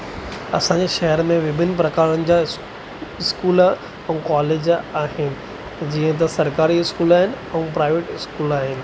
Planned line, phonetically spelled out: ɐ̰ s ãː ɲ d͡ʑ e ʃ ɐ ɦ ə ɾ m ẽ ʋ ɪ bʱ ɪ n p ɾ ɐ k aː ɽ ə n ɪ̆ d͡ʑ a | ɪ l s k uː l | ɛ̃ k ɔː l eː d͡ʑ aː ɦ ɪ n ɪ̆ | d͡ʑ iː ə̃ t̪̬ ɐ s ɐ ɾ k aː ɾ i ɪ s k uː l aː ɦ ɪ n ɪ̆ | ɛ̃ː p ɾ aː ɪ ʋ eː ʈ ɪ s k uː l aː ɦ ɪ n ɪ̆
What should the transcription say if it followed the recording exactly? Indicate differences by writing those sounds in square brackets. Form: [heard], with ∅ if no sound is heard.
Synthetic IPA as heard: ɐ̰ s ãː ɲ d͡ʑ e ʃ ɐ ɦ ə ɾ m ẽ ʋ ɪ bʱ ɪ n p ɾ ɐ k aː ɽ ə n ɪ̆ d͡ʑ a | ɪ [∅] s k uː l | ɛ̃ k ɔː l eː d͡ʑ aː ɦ ɪ n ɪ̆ | d͡ʑ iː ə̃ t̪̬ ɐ s ɐ ɾ k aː ɾ i ɪ s k uː l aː ɦ ɪ n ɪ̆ | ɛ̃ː p ɾ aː ɪ ʋ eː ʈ ɪ s k uː l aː ɦ ɪ n ɪ̆